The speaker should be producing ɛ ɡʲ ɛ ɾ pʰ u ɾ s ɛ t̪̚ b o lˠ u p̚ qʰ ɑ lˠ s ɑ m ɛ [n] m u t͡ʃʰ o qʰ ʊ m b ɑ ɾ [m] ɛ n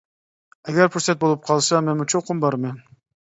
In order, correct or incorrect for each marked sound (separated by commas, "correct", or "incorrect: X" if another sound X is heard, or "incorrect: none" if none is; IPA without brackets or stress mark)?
correct, correct